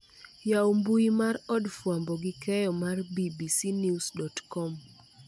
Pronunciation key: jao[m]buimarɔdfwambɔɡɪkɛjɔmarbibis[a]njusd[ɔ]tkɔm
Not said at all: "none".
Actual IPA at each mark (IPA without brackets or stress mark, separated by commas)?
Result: m, i, ɔ